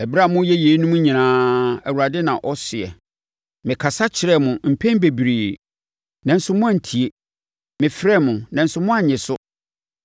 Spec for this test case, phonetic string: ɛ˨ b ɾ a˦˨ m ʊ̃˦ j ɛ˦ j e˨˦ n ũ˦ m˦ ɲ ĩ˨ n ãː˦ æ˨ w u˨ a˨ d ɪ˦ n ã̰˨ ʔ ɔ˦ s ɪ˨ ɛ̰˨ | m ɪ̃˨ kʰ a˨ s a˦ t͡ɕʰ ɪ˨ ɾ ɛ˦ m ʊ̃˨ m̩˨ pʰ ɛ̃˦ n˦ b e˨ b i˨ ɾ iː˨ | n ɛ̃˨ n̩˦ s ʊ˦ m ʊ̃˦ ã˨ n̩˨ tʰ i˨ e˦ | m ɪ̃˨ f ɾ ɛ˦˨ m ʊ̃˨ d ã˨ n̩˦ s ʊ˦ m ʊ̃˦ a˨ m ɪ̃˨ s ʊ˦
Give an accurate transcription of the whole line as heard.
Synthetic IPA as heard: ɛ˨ b ɾ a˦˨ m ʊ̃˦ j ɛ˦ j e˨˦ n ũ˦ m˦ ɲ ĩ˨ n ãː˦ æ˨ w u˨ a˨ d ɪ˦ n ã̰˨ ʔ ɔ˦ s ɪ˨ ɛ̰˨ | m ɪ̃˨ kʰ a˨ s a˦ t͡ɕʰ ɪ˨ ɾ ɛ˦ m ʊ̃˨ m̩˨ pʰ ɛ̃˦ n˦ b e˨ b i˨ ɾ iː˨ | n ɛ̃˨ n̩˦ s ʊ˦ m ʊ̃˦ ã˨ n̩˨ tʰ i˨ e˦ | m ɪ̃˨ f ɾ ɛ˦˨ m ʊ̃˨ n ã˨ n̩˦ s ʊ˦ m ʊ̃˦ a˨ ɲ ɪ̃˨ s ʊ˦